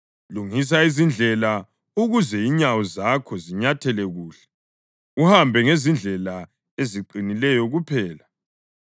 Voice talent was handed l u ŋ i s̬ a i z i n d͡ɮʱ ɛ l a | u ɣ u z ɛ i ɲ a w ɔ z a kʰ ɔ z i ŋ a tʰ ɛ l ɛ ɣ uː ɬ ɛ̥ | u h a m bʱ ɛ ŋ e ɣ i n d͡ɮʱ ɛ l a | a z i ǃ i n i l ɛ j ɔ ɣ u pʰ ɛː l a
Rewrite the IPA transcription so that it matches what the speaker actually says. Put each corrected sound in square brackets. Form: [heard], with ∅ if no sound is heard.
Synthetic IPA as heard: l u ŋ i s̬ a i z i n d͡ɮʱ ɛ l a | u ɣ u z ɛ i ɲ a w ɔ z a kʰ ɔ z i [ɲ] a tʰ ɛ l ɛ ɣ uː ɬ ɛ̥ | u h a m bʱ ɛ ŋ e [z] i n d͡ɮʱ ɛ l a | [e] z i ǃ i n i l ɛ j ɔ ɣ u pʰ ɛː l a